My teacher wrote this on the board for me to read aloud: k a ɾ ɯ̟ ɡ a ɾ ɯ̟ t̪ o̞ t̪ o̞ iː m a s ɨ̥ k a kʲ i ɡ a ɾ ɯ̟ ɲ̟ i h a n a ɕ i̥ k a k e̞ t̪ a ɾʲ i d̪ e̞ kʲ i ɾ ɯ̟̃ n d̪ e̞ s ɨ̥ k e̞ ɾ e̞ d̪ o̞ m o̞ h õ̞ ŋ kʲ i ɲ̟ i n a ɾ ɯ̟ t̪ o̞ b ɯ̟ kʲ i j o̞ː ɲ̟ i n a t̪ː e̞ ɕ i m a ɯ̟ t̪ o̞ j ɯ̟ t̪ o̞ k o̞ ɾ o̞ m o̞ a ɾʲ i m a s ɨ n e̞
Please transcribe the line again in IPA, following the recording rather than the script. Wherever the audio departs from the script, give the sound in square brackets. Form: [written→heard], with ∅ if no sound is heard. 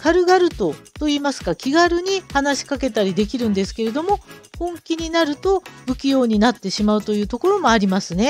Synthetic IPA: k a ɾ ɯ̟ ɡ a ɾ ɯ̟ t̪ o̞ t̪ o̞ iː m a s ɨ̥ k a kʲ i ɡ a ɾ ɯ̟ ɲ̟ i h a n a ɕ i̥ k a k e̞ t̪ a ɾʲ i d̪ e̞ kʲ i ɾ ɯ̟̃ n d̪ e̞ s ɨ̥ k e̞ ɾ e̞ d̪ o̞ m o̞ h õ̞ ŋ kʲ i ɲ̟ i n a ɾ ɯ̟ t̪ o̞ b ɯ̟ kʲ i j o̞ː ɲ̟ i n a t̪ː e̞ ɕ i m a ɯ̟ t̪ o̞ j [ɯ̟→ɯ̟ː] t̪ o̞ k o̞ ɾ o̞ m o̞ a ɾʲ i m a s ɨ n e̞